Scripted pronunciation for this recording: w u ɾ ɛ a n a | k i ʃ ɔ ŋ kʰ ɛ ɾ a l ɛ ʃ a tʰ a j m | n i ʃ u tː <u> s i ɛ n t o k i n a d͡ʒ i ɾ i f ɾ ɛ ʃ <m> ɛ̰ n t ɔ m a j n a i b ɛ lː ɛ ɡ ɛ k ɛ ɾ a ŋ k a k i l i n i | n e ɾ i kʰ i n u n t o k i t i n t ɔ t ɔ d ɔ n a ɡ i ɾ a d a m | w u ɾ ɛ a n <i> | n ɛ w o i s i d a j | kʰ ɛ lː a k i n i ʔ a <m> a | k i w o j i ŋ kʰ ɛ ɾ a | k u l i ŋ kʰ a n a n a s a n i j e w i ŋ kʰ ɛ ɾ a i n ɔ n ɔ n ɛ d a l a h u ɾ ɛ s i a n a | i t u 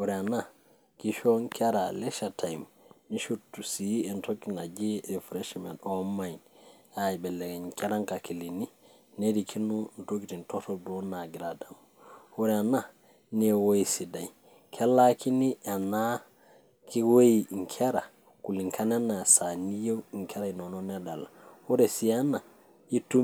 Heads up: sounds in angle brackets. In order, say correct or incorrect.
correct, correct, incorrect, incorrect

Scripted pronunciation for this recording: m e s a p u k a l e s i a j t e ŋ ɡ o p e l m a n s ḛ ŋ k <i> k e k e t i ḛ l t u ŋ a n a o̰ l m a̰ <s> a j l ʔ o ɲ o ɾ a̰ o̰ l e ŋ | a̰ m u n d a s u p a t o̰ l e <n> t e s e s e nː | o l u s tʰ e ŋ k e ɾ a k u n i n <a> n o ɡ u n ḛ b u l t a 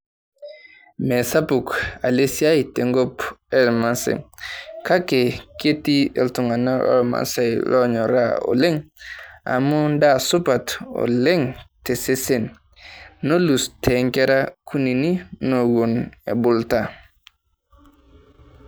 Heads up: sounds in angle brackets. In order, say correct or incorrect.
incorrect, correct, incorrect, incorrect

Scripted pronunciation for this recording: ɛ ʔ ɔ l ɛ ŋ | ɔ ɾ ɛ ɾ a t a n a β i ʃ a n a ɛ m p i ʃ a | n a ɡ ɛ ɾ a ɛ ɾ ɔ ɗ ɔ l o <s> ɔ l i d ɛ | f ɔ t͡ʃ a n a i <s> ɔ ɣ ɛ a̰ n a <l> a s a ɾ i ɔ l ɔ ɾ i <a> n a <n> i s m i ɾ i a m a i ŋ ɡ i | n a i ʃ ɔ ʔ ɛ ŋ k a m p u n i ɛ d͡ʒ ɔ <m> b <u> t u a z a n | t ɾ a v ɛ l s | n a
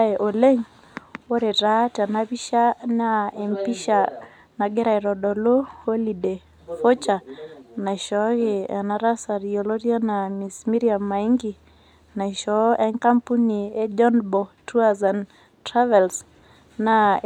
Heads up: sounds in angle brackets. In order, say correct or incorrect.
incorrect, incorrect, incorrect, correct, incorrect, incorrect, incorrect

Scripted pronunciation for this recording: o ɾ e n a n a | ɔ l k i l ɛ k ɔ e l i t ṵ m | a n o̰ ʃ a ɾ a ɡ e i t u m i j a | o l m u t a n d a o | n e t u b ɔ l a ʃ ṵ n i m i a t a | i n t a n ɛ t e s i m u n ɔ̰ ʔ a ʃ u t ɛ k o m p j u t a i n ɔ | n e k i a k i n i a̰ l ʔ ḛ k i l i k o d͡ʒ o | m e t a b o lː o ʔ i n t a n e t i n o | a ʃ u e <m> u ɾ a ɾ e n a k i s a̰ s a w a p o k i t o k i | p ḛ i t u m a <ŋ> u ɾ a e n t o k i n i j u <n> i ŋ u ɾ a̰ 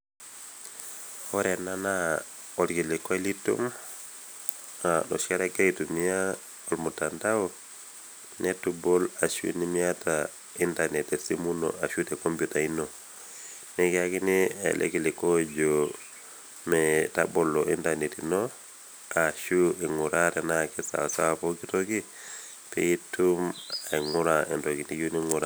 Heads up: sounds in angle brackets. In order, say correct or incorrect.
incorrect, correct, correct

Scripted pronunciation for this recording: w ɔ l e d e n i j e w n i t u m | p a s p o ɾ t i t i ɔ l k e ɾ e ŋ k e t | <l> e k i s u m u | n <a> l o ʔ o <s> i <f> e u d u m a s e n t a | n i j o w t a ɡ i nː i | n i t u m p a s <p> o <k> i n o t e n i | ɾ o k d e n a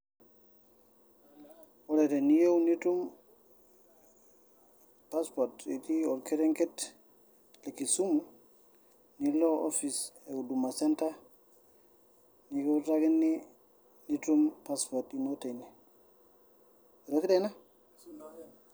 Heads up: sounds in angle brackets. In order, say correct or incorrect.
correct, incorrect, incorrect, incorrect, correct, incorrect

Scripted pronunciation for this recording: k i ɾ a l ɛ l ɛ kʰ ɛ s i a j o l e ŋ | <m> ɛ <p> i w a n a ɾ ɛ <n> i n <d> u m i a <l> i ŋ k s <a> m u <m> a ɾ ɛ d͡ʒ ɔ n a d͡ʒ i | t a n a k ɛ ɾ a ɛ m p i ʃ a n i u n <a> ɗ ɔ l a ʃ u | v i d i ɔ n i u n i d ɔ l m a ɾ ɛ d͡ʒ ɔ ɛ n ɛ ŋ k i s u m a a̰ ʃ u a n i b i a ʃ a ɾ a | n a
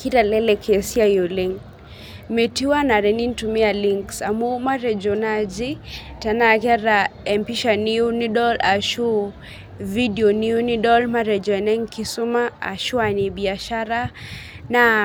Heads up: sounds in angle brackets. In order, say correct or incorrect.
correct, incorrect, correct, incorrect, correct, correct, correct, incorrect

